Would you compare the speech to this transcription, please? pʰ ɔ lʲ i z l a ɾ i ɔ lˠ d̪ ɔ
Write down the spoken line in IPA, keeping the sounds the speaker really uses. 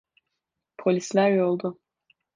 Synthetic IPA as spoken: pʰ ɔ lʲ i s l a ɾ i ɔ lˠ d̪ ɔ